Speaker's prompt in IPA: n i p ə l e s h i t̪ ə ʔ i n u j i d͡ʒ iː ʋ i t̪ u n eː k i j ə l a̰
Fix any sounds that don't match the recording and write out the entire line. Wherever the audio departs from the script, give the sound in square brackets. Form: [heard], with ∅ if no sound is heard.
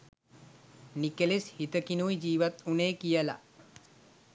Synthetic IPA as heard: n i [k] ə l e s h i t̪ ə [k] i n u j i d͡ʒ iː ʋ [a] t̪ u n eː k i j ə l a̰